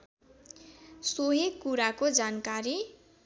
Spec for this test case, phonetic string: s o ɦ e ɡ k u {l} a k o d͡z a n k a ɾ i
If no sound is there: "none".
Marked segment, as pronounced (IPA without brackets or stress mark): ɾ